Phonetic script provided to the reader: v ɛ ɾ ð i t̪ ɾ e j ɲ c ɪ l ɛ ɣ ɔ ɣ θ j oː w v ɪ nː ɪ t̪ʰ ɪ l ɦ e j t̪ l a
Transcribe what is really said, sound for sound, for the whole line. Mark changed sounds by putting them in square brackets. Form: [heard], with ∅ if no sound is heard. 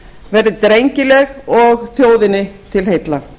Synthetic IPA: v ɛ ɾ ð [ɪ] t̪ ɾ e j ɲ c ɪ l ɛ ɣ ɔ ɣ θ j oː w [ð] ɪ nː ɪ t̪ʰ ɪ l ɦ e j t̪ l a